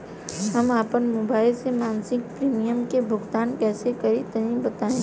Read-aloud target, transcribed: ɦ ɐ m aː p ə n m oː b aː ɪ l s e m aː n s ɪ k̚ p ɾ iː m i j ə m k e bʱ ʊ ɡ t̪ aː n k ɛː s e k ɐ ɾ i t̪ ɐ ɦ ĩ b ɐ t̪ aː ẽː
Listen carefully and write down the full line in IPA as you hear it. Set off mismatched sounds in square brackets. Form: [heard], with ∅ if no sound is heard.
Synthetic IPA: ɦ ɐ m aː p ə n m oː b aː ɪ l s e m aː n s ɪ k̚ p ɾ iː m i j ə m k e bʱ ʊ ɡ t̪ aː n k ɛː s e k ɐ ɾ i t̪ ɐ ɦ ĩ b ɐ t̪ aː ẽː